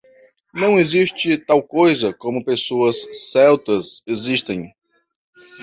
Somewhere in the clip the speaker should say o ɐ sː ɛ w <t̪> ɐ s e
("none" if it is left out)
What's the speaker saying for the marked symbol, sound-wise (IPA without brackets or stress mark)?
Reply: t̪